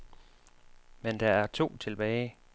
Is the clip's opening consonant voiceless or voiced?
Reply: voiced